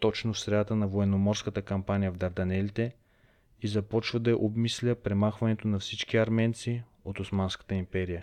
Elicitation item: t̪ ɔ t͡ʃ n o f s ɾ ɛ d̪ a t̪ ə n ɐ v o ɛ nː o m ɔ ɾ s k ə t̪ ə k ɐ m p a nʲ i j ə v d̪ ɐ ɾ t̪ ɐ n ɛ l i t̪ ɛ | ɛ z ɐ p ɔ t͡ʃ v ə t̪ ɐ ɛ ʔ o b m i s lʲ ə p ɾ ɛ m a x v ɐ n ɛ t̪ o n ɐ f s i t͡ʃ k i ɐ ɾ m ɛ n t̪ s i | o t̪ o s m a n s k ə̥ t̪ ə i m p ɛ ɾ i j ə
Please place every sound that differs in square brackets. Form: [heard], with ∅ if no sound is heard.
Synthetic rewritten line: t̪ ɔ t͡ʃ n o f s ɾ ɛ d̪ a t̪ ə n ɐ v o ɛ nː o m ɔ ɾ s k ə t̪ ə k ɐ m p a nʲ i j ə v d̪ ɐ ɾ [d̪] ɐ n ɛ l i t̪ ɛ | [i] z ɐ p ɔ t͡ʃ v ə [d̪] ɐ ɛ ʔ o b m i s lʲ ə p ɾ ɛ m a x v ɐ n ɛ t̪ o n ɐ f s i t͡ʃ k i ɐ ɾ m ɛ n t̪ s i | o t̪ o s m a n s k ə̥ t̪ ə i m p ɛ ɾ i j ə